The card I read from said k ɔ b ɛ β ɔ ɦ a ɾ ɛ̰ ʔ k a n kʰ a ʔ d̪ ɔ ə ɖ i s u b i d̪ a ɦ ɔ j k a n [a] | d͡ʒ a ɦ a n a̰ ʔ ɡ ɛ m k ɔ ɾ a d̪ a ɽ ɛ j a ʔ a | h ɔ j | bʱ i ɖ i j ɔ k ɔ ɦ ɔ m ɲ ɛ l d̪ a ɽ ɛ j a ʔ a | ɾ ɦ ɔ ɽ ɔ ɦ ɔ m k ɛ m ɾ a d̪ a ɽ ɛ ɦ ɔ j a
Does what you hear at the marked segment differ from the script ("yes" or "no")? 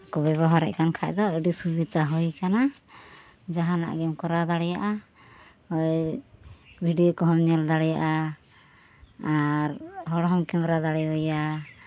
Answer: no